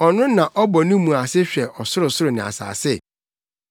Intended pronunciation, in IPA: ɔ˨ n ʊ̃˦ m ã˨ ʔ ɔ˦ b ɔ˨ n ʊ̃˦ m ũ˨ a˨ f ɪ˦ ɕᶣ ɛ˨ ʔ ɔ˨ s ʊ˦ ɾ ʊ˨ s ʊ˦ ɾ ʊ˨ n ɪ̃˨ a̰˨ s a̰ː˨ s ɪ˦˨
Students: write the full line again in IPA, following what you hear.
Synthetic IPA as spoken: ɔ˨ n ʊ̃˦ n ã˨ ʔ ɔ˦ b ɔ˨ n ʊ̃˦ m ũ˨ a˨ s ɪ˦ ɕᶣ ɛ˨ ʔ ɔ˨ s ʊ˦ ɾ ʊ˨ s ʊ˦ ɾ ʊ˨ n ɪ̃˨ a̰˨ s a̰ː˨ s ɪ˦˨